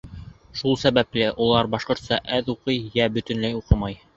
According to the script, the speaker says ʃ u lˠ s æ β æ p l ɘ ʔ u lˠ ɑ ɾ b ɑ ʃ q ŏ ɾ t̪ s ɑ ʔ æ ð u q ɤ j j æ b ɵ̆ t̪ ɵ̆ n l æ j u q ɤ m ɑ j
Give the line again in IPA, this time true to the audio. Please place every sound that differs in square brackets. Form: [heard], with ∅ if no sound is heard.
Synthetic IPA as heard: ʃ u lˠ s æ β æ p l ɘ ʔ u lˠ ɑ ɾ b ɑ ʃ q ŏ ɾ t̪ s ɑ ʔ æ ð u q ɤ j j æ b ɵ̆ t̪ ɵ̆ n l æ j u q ɤ m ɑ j